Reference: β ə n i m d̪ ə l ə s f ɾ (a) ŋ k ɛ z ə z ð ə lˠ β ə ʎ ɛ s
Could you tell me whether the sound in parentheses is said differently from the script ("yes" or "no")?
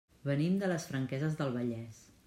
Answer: yes